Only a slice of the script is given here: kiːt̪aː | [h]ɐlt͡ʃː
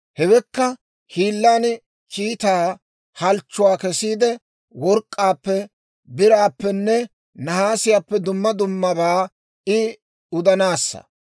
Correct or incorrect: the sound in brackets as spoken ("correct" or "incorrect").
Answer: correct